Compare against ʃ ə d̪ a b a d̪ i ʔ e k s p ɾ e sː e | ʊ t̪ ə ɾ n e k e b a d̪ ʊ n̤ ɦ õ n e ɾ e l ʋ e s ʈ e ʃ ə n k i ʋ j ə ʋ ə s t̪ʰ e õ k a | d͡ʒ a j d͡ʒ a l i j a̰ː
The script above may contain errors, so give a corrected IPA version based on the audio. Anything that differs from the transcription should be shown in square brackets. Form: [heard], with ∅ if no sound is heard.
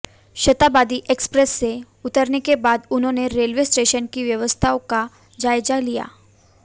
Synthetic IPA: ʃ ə [t̪] a b a d̪ i ʔ e k s p ɾ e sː e | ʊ t̪ ə ɾ n e k e b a d̪ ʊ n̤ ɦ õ n e ɾ e l ʋ e s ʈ e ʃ ə n k i ʋ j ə ʋ ə s t̪ʰ [a] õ k a | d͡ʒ a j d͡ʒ a l i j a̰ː